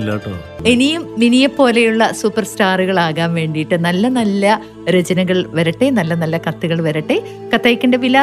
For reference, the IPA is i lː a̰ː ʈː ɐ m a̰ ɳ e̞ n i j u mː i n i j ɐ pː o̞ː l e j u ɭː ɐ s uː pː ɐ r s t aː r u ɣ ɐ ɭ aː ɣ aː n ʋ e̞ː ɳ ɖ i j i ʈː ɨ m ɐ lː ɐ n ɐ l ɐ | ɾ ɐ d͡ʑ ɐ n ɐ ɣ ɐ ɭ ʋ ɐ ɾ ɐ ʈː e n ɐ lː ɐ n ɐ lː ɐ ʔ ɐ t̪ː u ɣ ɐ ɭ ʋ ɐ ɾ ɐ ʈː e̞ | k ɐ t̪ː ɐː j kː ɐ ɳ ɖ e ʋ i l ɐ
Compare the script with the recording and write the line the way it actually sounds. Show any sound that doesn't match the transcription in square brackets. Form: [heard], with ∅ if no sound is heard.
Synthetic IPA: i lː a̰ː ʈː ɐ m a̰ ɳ e̞ n i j u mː i n i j ɐ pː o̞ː l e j u ɭː ɐ s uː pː ɐ r s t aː r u ɣ ɐ ɭ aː ɣ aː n ʋ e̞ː ɳ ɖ i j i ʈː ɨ [n] ɐ lː ɐ n ɐ [lː] ɐ | ɾ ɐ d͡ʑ ɐ n ɐ ɣ ɐ ɭ ʋ ɐ ɾ ɐ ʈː e n ɐ lː ɐ n ɐ lː ɐ [k] ɐ t̪ː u ɣ ɐ ɭ ʋ ɐ ɾ ɐ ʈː e̞ | k ɐ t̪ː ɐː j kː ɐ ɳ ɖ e ʋ i l ɐ